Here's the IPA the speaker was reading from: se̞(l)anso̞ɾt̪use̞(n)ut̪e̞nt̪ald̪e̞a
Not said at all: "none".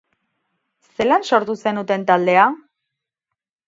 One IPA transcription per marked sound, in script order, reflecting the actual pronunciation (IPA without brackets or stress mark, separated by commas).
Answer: l, n